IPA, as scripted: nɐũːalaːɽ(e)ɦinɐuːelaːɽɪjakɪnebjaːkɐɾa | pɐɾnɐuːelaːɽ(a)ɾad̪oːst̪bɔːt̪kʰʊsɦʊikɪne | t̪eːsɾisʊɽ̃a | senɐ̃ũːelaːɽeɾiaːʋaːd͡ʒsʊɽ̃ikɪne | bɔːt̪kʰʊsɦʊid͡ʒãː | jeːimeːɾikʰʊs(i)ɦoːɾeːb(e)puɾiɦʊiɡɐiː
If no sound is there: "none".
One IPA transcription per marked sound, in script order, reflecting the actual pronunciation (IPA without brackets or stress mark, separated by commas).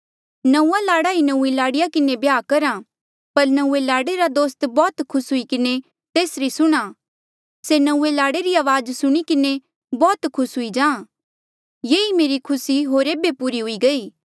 a, e, i, e